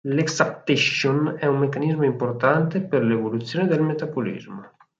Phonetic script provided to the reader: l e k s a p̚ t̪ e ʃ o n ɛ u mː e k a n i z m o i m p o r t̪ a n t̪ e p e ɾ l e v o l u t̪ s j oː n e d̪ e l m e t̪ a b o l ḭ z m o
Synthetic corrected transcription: l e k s a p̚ t̪ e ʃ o n ɛ u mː e k a n i z m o i m p o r t̪ a n t̪ e p e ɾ l e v o l u t̪ s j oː n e d̪ e l m e t̪ a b o l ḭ z m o